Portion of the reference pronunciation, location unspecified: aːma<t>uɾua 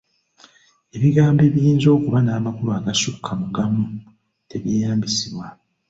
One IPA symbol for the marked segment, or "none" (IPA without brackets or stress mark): k